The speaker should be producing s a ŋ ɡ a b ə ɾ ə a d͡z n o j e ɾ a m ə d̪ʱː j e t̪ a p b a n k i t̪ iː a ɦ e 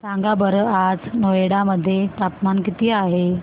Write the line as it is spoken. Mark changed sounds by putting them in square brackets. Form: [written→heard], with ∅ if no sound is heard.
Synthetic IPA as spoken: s a ŋ ɡ a b ə ɾ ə a d͡z n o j e [ɾ→ɽ] a m ə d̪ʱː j e t̪ a p [b→m] a n k i t̪ iː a ɦ e